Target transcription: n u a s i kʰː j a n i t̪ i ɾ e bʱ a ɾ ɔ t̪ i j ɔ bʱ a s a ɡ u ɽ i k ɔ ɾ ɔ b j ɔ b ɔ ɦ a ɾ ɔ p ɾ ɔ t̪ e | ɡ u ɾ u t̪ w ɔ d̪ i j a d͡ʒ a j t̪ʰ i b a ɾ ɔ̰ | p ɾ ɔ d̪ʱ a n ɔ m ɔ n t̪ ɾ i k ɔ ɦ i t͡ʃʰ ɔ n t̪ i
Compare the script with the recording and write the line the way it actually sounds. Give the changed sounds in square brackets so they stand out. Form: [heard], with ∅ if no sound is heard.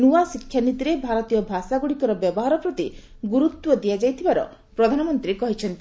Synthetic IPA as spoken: n u a s i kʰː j a n i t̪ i ɾ e bʱ a ɾ ɔ t̪ i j ɔ bʱ a s a ɡ u ɽ i k ɔ ɾ ɔ b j ɔ b ɔ ɦ a ɾ ɔ p ɾ ɔ t̪ [i] | ɡ u ɾ u t̪ w ɔ d̪ i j a d͡ʒ a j t̪ʰ i b a ɾ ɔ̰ | p ɾ ɔ d̪ʱ a n ɔ m ɔ n t̪ ɾ i k ɔ ɦ i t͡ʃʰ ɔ n t̪ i